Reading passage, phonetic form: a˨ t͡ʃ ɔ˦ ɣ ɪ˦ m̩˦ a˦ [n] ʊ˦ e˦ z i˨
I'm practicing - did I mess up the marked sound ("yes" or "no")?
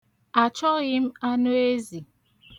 no